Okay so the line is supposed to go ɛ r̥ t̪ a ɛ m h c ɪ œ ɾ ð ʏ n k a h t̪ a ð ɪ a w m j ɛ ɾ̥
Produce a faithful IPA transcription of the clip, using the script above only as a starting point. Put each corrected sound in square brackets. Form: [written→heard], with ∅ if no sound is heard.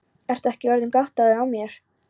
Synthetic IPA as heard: ɛ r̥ t̪ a ɛ [m→∅] h c ɪ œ ɾ ð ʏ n k a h t̪ a ð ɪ a w m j ɛ ɾ̥